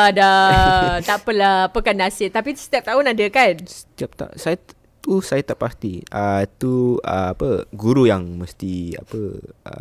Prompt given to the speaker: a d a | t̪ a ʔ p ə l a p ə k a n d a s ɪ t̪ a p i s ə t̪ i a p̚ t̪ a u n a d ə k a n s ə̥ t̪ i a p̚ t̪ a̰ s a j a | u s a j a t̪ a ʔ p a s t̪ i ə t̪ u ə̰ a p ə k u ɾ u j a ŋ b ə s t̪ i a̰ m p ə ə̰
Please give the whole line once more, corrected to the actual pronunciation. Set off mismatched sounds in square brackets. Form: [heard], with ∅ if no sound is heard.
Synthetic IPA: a d a | t̪ a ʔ p ə l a p ə k a n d a s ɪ t̪ a p i s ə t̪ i a p̚ t̪ a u n a d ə k a n s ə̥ t̪ i a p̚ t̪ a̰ s a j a | u s a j a t̪ a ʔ p a s t̪ i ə t̪ u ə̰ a p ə [ɡ] u ɾ u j a ŋ [m] ə s t̪ i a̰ [∅] p ə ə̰